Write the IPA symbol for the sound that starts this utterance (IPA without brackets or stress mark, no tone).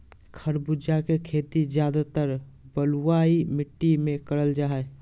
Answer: kʰ